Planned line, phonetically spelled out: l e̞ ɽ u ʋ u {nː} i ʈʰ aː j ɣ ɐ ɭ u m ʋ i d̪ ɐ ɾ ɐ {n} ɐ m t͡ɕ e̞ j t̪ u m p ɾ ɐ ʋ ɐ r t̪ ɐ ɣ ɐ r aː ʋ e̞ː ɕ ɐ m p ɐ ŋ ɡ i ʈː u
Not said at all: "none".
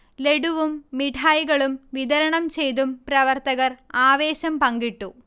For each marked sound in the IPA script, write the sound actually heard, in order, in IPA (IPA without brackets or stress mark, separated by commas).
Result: mː, ɳ